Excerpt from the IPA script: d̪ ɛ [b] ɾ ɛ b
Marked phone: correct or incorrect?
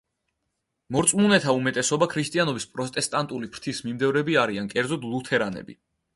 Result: incorrect